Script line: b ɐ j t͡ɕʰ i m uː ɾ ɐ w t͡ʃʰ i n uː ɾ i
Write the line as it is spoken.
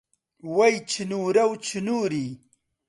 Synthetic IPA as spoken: w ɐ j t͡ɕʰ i n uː ɾ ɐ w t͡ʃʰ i n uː ɾ i